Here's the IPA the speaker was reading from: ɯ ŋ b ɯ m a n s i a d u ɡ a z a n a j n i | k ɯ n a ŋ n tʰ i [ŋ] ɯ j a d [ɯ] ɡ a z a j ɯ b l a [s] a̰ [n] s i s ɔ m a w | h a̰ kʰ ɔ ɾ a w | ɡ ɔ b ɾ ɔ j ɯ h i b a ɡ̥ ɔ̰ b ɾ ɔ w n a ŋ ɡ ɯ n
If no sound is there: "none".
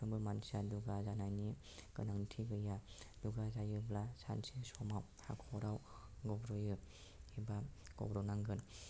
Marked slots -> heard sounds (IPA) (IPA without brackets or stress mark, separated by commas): ɡ, u, s, n